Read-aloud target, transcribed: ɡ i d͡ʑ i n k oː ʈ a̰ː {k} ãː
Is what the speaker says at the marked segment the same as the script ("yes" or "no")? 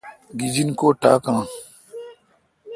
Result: yes